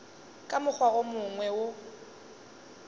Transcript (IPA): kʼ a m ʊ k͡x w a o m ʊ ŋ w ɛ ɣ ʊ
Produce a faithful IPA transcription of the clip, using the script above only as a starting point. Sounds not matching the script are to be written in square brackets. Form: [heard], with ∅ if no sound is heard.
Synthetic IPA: kʼ a m ʊ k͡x w a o m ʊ ŋ w ɛ [w] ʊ